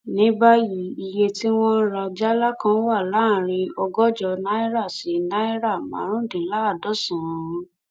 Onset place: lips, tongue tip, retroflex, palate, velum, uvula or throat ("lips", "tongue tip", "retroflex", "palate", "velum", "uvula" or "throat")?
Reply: tongue tip